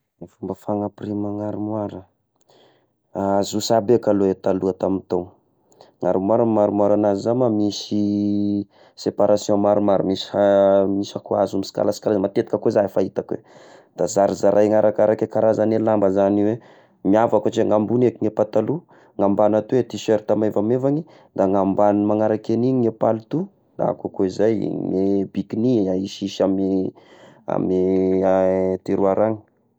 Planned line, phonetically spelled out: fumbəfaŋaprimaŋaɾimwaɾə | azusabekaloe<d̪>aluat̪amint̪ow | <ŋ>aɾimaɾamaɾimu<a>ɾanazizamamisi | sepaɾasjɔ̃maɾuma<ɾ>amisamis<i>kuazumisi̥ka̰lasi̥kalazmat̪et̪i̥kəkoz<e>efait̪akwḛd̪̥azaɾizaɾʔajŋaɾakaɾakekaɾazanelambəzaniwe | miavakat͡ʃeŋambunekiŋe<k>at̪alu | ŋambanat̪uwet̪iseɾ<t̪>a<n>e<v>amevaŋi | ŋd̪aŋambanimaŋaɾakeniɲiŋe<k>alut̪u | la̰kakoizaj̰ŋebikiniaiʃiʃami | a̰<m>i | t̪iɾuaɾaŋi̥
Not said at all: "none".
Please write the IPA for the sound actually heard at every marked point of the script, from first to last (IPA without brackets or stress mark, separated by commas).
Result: t̪, ŋ, a, ɾ, a, a, p, t̪, m, v, p, m